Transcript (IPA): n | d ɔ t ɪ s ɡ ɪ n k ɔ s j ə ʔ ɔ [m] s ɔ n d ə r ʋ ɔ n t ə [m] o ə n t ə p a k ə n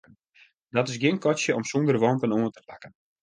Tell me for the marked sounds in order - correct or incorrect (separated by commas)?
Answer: correct, incorrect